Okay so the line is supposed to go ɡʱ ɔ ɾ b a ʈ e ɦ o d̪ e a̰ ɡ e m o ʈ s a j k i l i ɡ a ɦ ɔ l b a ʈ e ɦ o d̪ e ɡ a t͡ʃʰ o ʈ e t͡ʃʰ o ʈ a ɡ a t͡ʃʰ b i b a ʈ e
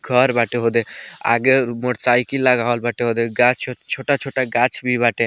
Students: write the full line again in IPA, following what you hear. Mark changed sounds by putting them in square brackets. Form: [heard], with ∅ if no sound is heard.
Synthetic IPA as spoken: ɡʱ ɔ ɾ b a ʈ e ɦ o d̪ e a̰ ɡ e m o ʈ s a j k i l [a] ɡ a ɦ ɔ l b a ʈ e ɦ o d̪ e ɡ a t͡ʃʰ o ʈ [a] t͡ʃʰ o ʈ a ɡ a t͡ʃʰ b i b a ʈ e